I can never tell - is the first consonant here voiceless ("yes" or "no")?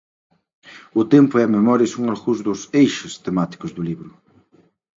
yes